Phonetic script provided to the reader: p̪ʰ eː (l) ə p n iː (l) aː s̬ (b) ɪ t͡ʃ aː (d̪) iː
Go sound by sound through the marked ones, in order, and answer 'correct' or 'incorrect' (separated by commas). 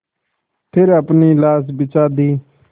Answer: incorrect, correct, correct, correct